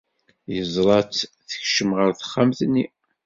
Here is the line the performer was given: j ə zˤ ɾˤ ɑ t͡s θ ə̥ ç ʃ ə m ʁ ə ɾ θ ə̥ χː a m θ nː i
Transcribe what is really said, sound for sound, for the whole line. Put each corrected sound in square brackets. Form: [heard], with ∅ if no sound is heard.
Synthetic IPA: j ə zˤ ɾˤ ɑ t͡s θ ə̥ ç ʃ ə m ʁ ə ɾ θ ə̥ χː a m θ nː i